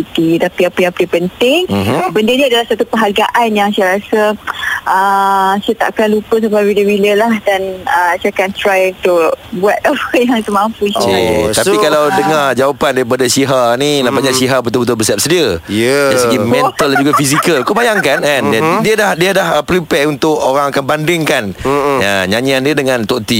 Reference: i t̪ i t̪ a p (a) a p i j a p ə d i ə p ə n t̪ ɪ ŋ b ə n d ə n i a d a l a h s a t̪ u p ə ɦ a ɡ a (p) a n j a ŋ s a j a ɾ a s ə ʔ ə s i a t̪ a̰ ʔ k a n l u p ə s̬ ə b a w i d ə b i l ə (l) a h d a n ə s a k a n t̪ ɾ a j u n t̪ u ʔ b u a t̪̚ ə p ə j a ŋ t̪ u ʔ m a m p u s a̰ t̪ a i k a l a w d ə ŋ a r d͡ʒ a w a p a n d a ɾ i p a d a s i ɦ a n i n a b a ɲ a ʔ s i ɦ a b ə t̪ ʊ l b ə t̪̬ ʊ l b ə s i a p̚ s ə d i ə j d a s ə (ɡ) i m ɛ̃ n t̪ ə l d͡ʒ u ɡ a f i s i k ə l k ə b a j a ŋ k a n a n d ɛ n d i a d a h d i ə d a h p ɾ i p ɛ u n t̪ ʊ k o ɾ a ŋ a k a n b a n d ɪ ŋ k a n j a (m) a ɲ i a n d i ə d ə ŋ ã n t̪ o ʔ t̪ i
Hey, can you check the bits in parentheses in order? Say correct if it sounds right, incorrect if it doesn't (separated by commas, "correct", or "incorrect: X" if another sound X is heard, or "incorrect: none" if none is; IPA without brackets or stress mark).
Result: incorrect: i, incorrect: ʔ, correct, correct, incorrect: ɲ